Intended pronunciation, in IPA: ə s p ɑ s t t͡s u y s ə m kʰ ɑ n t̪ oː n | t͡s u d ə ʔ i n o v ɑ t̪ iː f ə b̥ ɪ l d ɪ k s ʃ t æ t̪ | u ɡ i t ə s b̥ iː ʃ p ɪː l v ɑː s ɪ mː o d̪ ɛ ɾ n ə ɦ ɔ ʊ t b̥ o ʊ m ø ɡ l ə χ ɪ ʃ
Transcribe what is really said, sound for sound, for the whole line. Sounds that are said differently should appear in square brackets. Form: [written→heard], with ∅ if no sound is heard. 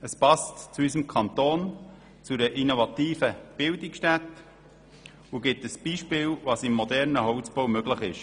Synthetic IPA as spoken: ə s p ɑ s t t͡s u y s ə m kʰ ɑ n t̪ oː n | t͡s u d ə ʔ i n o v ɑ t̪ iː f ə b̥ ɪ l d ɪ k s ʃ t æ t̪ | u ɡ [i→ɪ] t ə s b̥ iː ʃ p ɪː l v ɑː s ɪ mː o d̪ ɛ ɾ n ə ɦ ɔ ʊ [t→t͡s] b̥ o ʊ m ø ɡ l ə χ ɪ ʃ

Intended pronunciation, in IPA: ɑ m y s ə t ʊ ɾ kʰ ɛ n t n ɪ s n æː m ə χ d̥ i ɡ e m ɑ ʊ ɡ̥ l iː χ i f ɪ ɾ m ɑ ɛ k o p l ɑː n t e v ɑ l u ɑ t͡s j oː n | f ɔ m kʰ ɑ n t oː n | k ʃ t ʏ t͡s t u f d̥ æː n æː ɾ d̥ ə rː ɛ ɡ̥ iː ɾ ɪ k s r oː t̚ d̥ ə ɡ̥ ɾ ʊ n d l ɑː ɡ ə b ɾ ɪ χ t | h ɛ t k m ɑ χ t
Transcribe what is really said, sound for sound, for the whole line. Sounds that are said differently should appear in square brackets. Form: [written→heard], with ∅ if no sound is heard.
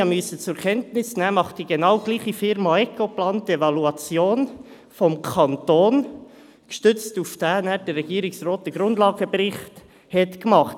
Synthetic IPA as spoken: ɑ m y s ə [t→t͡s] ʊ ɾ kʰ ɛ n t n ɪ s n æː m [ə→ɑ] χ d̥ i ɡ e [m→n] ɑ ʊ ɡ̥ l iː χ i f ɪ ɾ m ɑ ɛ k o p l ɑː n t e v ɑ l u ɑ t͡s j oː n | f ɔ m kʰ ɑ n t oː n | k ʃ t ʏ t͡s t u f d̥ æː n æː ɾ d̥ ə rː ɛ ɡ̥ iː ɾ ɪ k s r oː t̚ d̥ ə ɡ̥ ɾ ʊ n d l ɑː ɡ ə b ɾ ɪ χ t | h ɛ t k m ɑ χ t

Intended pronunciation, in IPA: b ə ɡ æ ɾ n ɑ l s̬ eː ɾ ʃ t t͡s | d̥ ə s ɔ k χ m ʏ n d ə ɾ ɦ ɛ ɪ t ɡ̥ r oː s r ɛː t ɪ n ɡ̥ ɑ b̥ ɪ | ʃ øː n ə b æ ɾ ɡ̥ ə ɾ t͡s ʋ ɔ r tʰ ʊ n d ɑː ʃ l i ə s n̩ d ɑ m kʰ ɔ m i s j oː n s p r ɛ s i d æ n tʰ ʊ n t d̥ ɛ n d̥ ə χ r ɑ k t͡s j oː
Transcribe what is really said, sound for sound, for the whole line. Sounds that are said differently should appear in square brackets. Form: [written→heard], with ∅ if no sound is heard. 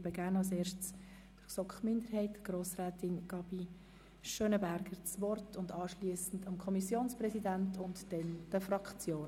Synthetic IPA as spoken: b ə ɡ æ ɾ n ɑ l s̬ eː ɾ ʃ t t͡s | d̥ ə s ɔ k χ m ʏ n d ə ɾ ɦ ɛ ɪ t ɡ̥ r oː s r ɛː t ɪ n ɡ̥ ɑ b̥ [ɪ→i] | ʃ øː n ə b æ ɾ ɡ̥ ə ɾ t͡s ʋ ɔ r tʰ ʊ n d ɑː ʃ l i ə s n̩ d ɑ m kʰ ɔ m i s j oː n s p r ɛ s i d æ n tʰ ʊ n t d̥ ɛ n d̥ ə [χ→f] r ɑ k t͡s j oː

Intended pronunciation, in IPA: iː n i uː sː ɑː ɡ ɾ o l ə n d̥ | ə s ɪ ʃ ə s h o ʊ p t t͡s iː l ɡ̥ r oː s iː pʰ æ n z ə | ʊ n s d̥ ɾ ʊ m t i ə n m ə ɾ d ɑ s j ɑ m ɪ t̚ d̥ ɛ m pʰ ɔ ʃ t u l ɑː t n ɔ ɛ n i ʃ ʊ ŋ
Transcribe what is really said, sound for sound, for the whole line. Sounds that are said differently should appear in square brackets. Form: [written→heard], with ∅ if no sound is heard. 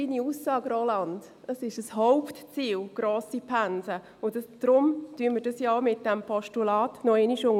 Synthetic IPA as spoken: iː n i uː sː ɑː ɡ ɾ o l [ə→ɑ] n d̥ | ə s ɪ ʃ ə s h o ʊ p t t͡s iː l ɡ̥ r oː s [iː→i] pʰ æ n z ə | ʊ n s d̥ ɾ ʊ m t [i→y] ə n m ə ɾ d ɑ s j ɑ m ɪ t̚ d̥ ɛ m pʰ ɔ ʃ t u l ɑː t n ɔ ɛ n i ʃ ʊ ŋ

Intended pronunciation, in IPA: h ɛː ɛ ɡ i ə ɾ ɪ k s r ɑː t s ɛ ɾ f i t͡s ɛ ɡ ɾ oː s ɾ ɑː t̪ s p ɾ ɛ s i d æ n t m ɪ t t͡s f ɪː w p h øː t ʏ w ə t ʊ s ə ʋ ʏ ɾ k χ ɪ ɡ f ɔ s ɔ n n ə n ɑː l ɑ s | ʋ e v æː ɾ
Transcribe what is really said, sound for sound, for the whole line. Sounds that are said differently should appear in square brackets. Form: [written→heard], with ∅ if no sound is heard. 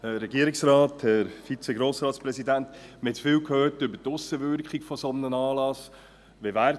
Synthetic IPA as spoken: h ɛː ɛ ɡ i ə ɾ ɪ k s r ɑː t [s→h] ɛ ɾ f i t͡s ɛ ɡ ɾ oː s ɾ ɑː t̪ s p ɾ ɛ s i d æ n t m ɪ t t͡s f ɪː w [p→k] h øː t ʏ [w→b] ə t ʊ s ə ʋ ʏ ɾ k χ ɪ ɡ f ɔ s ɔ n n ə n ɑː l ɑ s | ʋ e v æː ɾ

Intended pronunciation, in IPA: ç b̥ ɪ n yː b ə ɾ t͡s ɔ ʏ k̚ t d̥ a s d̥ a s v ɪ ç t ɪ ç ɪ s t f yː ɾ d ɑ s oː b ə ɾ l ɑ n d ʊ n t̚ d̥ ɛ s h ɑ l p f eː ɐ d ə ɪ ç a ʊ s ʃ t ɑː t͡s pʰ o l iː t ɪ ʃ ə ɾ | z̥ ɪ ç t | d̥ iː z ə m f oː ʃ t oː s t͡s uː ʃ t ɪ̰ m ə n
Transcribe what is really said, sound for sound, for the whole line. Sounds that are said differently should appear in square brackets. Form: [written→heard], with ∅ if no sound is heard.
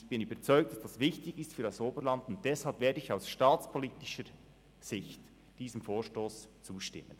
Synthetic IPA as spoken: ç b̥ ɪ n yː b ə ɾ t͡s ɔ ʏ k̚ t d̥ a s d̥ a s v ɪ ç t ɪ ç ɪ s t f yː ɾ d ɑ s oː b ə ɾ l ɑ n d ʊ n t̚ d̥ ɛ s h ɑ l p [f→v] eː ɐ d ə ɪ ç a ʊ s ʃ t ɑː t͡s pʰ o l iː t ɪ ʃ ə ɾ | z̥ ɪ ç t | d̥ iː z ə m f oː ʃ t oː s t͡s uː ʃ t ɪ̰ m ə n

